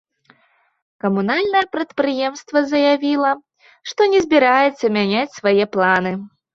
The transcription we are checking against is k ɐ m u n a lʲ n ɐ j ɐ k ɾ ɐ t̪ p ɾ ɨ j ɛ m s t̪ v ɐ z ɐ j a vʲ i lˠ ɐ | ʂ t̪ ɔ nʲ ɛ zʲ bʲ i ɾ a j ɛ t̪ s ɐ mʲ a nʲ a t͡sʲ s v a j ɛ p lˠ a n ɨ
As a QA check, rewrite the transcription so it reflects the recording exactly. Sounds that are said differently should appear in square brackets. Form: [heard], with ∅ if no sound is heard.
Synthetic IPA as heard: k ɐ m u n a lʲ n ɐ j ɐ [p] ɾ ɐ t̪ p ɾ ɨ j ɛ m s t̪ v ɐ z ɐ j a vʲ i lˠ ɐ | ʂ t̪ ɔ nʲ ɛ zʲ bʲ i ɾ a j ɛ t̪ [sː] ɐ mʲ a nʲ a t͡sʲ s v a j ɛ p lˠ a n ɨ